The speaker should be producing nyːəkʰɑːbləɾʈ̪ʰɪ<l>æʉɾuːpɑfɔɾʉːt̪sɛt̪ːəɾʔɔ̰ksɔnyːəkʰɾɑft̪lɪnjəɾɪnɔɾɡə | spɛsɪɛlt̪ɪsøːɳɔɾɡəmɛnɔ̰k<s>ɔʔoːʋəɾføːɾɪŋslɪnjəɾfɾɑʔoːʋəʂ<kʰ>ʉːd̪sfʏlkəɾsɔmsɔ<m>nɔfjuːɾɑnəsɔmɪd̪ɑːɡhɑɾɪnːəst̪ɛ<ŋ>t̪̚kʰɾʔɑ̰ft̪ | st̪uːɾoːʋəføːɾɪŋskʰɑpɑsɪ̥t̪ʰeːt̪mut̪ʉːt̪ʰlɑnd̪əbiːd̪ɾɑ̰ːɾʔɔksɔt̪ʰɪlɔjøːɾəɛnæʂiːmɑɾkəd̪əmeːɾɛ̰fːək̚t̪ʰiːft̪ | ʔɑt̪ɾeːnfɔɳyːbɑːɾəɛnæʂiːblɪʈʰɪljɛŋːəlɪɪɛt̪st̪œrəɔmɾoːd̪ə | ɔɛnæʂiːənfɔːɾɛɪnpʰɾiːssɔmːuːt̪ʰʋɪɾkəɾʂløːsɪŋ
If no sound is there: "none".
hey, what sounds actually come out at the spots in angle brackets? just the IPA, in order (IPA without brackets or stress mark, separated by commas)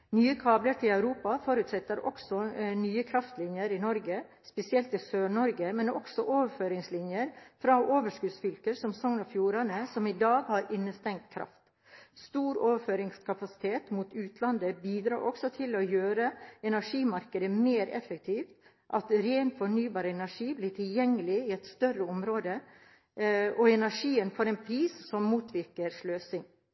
l, s, k, ŋ, ŋ